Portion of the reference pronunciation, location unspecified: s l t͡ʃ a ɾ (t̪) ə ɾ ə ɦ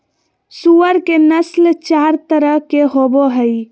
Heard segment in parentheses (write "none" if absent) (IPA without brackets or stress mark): t̪